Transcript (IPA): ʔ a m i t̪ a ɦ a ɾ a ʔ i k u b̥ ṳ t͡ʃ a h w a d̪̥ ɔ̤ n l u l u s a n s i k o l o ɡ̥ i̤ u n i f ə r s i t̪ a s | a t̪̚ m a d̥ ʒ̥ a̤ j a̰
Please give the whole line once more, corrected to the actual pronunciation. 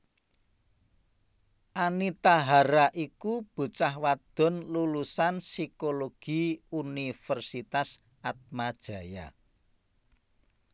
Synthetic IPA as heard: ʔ a n i t̪ a ɦ a ɾ a ʔ i k u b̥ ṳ t͡ʃ a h w a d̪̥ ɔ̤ n l u l u s a n s i k o l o ɡ̥ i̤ u n i f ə r s i t̪ a s | a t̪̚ m a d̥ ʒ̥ a̤ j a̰